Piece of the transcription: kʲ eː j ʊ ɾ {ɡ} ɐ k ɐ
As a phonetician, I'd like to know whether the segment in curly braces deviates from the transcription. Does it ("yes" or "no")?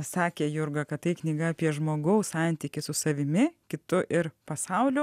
no